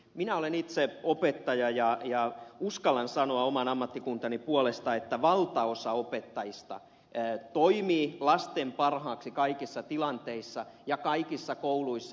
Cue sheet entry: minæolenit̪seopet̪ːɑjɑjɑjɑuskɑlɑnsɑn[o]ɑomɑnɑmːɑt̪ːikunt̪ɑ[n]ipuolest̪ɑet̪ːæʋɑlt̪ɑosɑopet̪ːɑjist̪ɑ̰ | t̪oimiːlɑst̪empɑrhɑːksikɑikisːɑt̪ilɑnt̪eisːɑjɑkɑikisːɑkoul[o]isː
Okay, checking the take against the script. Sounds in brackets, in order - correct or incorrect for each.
correct, correct, incorrect

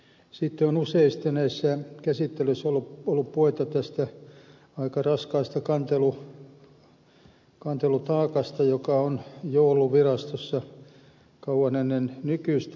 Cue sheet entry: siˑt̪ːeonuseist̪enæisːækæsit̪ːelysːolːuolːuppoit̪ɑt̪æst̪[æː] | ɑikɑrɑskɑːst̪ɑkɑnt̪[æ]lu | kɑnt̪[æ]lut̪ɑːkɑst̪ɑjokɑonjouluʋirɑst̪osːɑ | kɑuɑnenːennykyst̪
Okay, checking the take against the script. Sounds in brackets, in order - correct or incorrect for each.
incorrect, incorrect, incorrect

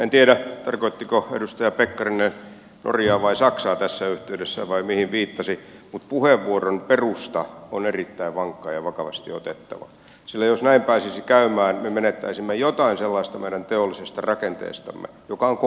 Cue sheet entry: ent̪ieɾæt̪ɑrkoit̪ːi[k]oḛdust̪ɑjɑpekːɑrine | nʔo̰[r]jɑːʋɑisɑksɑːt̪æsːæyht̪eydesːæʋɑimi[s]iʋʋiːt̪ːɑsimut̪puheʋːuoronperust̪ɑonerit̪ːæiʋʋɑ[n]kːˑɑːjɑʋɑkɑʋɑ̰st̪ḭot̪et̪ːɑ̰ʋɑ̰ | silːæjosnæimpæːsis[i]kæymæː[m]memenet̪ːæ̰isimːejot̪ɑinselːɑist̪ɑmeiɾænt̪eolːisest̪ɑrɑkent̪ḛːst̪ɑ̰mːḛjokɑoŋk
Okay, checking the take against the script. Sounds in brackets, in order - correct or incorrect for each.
correct, correct, incorrect, incorrect, correct, incorrect

